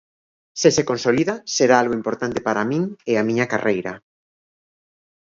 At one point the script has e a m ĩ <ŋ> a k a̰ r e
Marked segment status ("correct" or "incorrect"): incorrect